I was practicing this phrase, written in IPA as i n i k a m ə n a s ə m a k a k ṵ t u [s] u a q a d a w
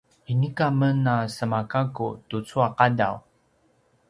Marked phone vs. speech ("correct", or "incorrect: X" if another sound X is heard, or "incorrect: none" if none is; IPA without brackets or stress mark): incorrect: t͡s